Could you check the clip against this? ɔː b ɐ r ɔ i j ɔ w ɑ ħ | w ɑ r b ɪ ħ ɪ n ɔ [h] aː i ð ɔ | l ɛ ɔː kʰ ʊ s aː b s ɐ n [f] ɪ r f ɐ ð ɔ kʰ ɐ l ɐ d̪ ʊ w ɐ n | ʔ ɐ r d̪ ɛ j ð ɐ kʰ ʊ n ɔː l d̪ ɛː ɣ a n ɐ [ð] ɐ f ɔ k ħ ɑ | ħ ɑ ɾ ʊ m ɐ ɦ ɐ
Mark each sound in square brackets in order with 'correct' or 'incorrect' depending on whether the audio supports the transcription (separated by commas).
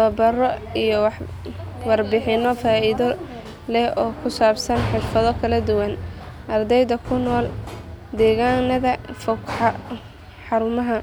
incorrect, incorrect, correct